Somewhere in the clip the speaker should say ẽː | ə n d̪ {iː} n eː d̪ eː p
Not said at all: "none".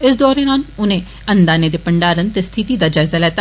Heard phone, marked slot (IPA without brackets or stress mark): aː